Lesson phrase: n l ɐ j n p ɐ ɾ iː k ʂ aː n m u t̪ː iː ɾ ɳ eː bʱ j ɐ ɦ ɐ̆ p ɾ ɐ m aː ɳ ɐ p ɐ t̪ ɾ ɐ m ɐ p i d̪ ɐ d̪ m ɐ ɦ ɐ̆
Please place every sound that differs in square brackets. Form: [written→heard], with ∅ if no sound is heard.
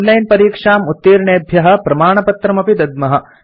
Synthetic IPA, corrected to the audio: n l ɐ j n p ɐ ɾ iː k ʂ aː [n→∅] m u t̪ː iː ɾ ɳ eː bʱ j ɐ ɦ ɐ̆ p ɾ ɐ m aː ɳ ɐ p ɐ t̪ ɾ ɐ m ɐ p i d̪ ɐ d̪ m ɐ ɦ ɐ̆